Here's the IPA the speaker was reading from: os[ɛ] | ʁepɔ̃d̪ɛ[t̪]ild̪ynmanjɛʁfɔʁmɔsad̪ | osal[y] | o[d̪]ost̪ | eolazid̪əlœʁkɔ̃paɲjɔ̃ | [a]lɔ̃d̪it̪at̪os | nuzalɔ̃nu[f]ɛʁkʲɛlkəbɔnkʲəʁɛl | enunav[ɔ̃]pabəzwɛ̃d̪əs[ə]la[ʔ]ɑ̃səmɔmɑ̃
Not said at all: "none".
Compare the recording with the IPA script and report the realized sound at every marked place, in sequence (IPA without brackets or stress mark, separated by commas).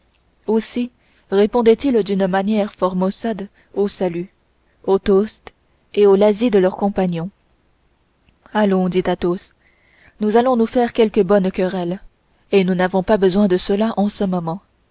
i, t̪, y, t̪, a, f, ɔ̃, ə, ʔ